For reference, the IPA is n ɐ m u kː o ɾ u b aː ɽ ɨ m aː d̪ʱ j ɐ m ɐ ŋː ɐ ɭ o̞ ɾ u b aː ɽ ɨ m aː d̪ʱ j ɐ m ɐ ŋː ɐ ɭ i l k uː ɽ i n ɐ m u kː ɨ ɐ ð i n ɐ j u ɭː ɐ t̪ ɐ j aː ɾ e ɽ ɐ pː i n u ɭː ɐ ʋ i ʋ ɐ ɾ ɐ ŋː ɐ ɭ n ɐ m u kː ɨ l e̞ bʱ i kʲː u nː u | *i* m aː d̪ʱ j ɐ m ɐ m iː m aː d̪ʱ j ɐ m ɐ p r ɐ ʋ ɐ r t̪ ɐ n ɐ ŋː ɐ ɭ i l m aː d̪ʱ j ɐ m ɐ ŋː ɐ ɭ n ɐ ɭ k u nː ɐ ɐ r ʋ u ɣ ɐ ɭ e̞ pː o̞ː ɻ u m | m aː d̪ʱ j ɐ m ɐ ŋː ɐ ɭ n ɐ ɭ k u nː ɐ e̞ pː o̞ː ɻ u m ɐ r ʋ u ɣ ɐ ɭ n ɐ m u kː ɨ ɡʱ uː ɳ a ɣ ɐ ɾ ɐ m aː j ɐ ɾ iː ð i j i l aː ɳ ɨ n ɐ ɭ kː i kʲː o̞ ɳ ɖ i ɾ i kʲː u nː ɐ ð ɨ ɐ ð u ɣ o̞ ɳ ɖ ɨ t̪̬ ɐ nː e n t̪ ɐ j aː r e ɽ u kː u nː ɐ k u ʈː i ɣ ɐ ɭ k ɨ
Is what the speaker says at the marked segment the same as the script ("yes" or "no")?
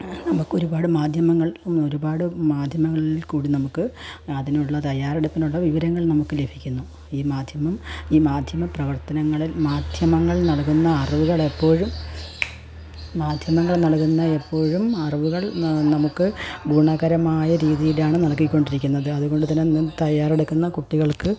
no